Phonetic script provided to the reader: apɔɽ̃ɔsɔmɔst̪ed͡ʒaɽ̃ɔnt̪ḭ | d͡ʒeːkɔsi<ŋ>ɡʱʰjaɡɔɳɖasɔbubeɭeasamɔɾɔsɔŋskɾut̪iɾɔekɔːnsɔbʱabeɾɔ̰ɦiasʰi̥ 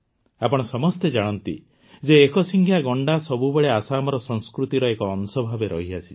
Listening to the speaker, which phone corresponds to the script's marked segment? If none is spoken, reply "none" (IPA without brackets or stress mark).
ŋ